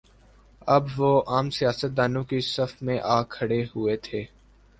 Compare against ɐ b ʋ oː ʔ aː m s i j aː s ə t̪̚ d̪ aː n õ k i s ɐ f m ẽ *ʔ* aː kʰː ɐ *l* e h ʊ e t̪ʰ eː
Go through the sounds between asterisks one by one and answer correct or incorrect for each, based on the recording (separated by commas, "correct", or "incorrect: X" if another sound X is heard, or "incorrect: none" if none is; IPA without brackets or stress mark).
correct, incorrect: ɽ